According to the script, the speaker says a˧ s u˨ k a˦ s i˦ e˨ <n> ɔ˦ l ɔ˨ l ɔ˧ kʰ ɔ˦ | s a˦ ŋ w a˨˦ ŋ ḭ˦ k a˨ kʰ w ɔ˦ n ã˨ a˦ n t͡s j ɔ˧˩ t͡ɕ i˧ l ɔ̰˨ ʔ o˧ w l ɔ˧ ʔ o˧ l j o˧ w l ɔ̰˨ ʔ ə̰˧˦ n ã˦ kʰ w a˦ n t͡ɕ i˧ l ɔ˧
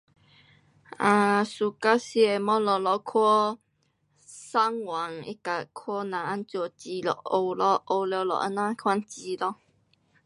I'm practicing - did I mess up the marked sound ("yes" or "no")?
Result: yes